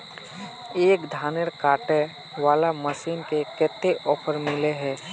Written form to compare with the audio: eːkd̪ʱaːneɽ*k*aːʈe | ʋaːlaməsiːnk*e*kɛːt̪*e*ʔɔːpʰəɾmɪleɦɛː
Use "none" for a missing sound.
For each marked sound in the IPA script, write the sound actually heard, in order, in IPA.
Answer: k, e, e

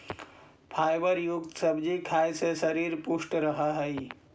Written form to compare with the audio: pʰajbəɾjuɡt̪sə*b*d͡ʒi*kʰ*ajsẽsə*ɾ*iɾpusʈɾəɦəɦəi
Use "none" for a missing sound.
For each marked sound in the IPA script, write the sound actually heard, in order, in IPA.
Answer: b, kʰ, ɾ

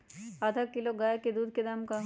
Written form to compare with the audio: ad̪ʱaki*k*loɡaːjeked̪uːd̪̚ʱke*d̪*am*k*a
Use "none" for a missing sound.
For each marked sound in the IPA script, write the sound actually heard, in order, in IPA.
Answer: none, d̪, k

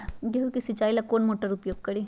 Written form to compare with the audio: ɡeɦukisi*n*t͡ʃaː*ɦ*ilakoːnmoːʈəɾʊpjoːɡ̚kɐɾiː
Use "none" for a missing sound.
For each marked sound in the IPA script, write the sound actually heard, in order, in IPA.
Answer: none, none

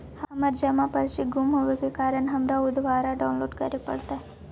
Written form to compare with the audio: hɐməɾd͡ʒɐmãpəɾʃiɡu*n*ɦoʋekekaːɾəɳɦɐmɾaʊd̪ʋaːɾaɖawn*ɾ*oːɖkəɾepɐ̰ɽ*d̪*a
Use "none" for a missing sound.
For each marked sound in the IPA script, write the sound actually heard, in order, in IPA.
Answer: m, l, t̪

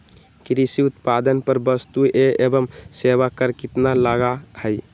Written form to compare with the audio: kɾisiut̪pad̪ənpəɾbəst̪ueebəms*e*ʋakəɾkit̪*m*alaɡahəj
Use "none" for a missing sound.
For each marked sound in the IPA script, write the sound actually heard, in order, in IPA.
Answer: e, n

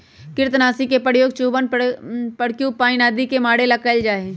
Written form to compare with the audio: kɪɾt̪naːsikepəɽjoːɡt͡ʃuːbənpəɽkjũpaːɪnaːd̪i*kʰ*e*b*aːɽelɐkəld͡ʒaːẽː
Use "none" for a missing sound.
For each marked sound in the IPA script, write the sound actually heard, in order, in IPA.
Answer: k, m

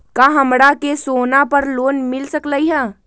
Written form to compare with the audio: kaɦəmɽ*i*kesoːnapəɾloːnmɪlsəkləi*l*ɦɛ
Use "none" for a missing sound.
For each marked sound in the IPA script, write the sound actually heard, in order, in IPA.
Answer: a, none

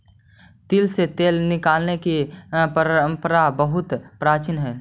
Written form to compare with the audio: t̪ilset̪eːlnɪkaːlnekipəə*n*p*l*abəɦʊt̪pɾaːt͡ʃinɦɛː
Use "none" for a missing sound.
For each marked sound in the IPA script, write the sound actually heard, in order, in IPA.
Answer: m, ɾ

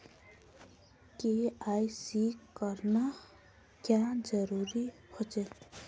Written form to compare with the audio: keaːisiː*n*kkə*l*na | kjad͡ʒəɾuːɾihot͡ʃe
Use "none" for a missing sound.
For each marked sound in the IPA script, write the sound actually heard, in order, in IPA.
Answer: none, ɾ

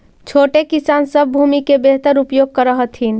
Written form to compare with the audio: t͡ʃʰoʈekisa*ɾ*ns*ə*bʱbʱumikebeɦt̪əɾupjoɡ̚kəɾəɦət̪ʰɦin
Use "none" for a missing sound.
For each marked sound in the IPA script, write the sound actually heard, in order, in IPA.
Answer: none, ə

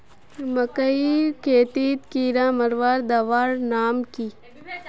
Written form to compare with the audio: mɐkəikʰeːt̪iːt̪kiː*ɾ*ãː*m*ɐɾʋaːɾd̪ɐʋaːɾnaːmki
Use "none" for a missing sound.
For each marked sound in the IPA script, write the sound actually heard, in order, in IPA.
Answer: ɾ, m

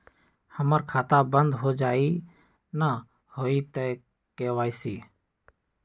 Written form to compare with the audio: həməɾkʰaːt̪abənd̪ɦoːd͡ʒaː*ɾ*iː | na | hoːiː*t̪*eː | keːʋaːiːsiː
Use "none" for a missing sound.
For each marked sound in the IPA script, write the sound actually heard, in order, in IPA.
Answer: none, t̪

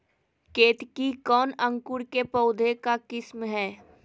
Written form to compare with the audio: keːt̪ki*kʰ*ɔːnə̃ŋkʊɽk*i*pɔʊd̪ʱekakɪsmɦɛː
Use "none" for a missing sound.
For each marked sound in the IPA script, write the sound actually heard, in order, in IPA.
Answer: k, e

